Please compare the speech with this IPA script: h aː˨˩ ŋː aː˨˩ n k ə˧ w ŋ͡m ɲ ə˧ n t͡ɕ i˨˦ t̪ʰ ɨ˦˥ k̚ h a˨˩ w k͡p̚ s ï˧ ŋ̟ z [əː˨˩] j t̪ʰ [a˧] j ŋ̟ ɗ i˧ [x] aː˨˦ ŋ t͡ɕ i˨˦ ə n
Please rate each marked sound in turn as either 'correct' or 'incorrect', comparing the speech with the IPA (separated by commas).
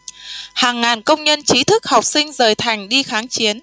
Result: correct, incorrect, correct